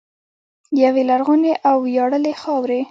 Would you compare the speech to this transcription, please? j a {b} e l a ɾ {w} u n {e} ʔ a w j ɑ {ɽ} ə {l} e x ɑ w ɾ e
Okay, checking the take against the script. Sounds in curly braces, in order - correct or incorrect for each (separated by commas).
incorrect, incorrect, correct, correct, correct